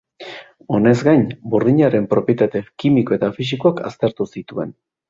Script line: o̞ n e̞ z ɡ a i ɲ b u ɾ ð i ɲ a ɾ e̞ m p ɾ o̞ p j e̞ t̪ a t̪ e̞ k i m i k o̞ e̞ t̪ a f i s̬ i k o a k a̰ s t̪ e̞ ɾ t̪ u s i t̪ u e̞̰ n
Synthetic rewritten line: o̞ n e̞ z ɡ a j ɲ b u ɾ ð i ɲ a ɾ e̞ m p ɾ o̞ p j e̞ t̪ a t̪ e̞ k i m i k o̞ e̞ t̪ a f i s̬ i k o a k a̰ s t̪ e̞ ɾ t̪ u s i t̪ u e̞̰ n